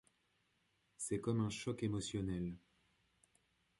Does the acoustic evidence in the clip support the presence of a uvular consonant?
no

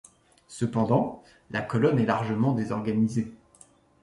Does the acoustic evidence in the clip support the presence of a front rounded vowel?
no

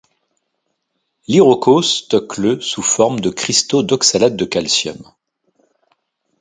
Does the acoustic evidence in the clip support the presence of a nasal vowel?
no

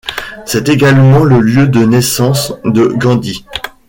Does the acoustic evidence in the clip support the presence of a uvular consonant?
no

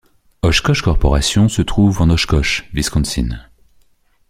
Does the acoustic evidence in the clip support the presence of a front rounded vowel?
no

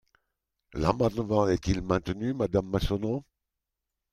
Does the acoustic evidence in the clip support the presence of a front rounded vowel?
yes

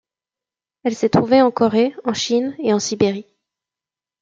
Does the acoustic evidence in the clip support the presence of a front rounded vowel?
no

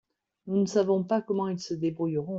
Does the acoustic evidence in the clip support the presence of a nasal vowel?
yes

